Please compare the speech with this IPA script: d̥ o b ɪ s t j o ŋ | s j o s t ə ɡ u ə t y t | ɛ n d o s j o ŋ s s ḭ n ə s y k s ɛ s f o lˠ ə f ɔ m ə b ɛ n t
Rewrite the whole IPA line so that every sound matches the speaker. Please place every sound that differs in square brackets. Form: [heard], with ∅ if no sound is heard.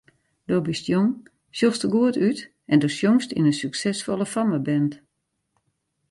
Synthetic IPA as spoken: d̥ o b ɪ s t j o ŋ | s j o s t ə ɡ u ə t y t | ɛ n d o s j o ŋ s [t] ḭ n ə s y k s ɛ s f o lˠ ə f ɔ m ə b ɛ n t